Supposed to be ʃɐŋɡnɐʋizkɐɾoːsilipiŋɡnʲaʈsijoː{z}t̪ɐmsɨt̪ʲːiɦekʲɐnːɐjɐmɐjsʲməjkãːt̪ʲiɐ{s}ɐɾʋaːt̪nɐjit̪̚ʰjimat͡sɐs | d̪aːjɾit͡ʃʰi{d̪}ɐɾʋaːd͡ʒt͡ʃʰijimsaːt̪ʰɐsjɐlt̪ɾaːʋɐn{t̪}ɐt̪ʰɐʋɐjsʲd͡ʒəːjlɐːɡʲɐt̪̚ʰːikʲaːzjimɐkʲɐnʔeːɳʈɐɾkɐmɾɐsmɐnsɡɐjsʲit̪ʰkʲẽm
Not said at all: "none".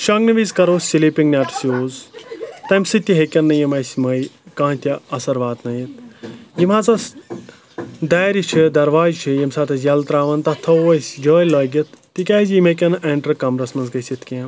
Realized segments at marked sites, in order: z, s, d̪, t̪

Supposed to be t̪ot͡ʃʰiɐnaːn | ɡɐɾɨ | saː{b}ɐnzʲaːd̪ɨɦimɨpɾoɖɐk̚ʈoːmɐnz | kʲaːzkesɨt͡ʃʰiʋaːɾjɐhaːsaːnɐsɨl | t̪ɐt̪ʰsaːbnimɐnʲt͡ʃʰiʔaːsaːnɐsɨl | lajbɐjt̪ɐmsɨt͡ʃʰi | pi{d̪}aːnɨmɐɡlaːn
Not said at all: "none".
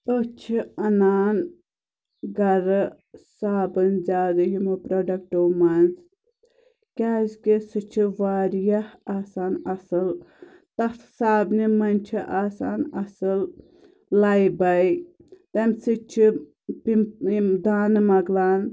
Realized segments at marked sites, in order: b, d̪

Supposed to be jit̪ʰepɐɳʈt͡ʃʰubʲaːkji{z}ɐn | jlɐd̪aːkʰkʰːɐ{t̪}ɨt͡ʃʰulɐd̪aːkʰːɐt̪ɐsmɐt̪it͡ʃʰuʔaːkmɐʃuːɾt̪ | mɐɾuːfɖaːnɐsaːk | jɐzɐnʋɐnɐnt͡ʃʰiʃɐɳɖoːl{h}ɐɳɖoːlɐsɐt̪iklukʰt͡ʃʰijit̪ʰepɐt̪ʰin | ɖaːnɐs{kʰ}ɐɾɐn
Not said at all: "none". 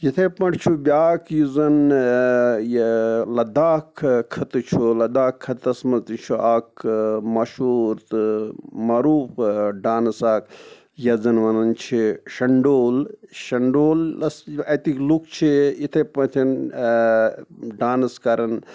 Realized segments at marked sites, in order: z, t̪, ʃ, k

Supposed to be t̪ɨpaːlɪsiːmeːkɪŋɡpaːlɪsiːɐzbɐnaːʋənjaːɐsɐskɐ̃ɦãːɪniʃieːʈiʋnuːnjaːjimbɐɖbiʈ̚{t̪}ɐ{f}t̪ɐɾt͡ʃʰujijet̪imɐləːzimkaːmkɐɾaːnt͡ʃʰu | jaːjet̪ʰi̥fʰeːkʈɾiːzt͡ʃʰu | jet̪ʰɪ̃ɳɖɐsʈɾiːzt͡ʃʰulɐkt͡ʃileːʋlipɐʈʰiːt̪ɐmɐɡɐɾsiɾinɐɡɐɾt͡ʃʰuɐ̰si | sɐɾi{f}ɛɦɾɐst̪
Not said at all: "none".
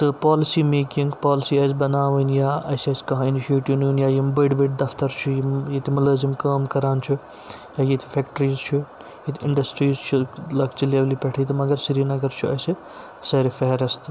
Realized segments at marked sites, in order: d̪, f, f

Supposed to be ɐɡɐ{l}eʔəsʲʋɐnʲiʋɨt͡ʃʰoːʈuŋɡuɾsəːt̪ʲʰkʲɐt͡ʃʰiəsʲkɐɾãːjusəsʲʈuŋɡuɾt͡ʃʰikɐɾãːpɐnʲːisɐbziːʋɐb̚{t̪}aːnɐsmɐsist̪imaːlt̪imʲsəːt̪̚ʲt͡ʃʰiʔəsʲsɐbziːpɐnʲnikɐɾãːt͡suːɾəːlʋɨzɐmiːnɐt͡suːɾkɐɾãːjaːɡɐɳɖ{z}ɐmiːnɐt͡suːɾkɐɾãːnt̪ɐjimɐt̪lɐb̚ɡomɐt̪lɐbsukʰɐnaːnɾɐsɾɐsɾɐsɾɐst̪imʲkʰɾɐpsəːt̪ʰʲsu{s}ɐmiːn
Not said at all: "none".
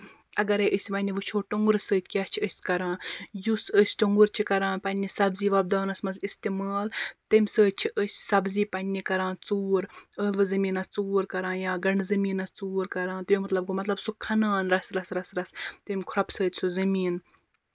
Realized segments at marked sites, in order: ɾ, d̪, z, z

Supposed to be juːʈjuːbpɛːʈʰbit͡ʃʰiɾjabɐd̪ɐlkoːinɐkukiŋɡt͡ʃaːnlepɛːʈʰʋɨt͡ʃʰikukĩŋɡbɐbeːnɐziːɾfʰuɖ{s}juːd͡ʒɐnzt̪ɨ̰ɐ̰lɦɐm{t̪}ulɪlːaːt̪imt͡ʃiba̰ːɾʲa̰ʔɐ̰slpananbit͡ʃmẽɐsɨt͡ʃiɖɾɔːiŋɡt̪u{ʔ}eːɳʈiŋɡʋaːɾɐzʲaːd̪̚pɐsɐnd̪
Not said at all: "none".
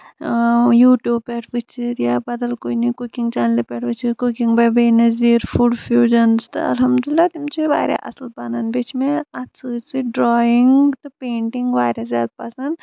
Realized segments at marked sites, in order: f, d̪, p

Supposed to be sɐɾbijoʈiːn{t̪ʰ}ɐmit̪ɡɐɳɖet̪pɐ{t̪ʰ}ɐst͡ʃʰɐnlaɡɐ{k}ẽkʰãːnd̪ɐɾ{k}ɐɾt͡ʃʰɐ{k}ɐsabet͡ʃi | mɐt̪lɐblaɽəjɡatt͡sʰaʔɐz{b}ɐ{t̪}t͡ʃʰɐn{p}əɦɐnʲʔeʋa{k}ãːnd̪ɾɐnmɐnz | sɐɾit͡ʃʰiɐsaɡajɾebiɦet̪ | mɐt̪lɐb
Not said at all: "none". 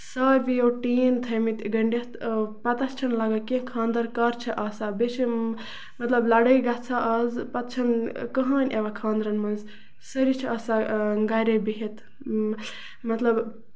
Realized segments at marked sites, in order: t̪ʰ, t̪, k, k, ʔ, p, t̪, k, kʰ

